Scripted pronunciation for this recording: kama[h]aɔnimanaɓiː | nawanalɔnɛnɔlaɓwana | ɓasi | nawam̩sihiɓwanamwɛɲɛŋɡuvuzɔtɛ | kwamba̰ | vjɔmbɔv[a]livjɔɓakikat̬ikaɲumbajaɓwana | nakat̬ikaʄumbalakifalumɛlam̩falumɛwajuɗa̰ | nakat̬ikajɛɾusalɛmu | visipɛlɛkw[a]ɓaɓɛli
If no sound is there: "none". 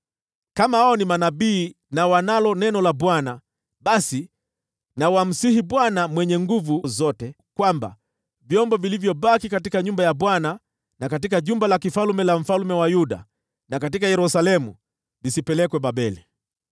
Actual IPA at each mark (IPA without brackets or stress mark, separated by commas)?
h, i, ɛ